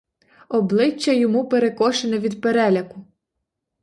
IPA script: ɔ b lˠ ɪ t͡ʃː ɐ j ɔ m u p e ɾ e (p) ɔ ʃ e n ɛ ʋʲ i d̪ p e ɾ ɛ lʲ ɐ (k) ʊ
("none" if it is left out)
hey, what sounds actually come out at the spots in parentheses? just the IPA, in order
k, k

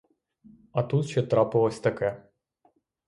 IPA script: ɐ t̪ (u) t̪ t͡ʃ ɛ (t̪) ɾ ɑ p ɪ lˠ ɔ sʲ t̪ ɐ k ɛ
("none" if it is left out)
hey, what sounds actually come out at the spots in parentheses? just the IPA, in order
u, t̪

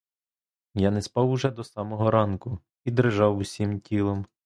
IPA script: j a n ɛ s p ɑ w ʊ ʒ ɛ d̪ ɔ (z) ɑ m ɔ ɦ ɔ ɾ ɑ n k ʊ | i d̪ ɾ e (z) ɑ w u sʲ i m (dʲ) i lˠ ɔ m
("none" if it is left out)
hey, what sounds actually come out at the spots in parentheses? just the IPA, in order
s, ʒ, tʲ

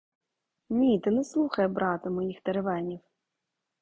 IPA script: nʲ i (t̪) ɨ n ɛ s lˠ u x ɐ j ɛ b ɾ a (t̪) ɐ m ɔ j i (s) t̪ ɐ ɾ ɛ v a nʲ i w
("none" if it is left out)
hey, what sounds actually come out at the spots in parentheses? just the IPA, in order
t̪, t̪, x

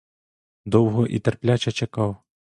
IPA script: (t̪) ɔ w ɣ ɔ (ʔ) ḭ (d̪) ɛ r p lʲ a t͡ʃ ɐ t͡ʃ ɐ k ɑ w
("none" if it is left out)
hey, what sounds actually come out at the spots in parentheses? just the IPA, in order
d̪, ʔ, t̪

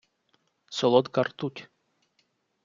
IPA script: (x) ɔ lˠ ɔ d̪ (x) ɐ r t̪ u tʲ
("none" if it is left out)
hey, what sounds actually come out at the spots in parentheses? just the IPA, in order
s, k

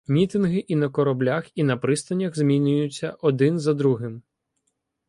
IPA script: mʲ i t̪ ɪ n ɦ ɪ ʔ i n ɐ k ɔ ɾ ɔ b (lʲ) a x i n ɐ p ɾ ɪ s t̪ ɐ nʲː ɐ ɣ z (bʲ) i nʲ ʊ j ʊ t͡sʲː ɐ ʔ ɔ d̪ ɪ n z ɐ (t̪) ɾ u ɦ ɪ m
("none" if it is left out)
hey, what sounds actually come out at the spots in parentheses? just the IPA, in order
lʲ, mʲ, d̪

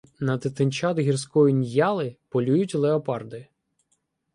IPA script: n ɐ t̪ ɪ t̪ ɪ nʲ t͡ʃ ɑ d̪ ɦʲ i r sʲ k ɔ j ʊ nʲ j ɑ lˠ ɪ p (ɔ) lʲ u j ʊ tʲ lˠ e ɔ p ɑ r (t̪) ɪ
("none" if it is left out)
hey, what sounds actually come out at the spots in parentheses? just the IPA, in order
ɔ, d̪

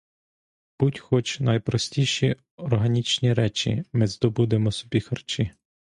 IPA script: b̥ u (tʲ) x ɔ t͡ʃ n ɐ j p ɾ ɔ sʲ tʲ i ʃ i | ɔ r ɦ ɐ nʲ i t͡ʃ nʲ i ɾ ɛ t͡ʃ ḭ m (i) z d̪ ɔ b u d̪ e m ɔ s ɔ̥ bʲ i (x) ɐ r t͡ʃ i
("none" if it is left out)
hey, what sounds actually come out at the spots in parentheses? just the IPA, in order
tʲ, ɪ, x

